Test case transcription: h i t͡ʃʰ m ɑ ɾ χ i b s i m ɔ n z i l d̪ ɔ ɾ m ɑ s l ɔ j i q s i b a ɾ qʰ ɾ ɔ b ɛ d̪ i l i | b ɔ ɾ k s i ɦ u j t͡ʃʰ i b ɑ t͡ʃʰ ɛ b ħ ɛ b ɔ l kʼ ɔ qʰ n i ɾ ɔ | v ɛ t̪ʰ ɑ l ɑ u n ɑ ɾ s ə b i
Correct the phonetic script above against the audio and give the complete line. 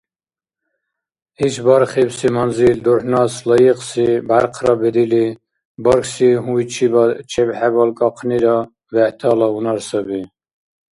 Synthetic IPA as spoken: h i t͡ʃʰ b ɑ ɾ χ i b s i m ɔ n z i l d̪ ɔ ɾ n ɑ s l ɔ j i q s i b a ɾ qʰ ɾ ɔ b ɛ d̪ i l i | b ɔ ɾ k s i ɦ u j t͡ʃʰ i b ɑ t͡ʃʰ ɛ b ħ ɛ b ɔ l kʼ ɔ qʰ n i ɾ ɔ | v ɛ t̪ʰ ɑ l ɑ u n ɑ ɾ s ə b i